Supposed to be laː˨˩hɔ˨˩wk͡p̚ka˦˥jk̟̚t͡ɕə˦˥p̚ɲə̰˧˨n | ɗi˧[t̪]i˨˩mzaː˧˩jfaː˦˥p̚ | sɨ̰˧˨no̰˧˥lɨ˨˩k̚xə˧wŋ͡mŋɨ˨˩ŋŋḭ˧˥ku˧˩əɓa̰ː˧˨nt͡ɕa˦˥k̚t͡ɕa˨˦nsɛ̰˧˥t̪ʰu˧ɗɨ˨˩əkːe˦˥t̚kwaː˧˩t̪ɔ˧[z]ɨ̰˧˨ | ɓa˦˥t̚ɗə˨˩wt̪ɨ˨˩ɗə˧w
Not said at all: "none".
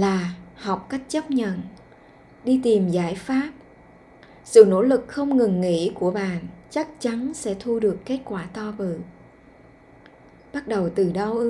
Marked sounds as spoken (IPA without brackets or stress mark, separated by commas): t̪, v